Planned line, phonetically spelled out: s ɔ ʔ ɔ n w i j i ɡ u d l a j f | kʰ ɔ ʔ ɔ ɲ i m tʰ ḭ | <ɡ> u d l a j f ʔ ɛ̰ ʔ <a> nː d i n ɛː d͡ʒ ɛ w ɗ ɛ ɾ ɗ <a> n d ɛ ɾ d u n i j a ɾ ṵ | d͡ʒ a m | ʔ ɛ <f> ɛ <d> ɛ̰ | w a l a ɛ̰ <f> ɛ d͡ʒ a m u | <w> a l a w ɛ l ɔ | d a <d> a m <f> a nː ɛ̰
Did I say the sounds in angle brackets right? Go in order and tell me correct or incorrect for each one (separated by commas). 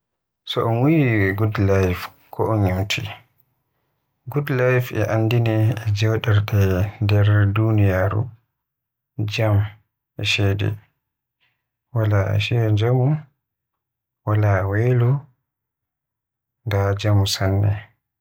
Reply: correct, correct, incorrect, incorrect, correct, incorrect, correct, incorrect, incorrect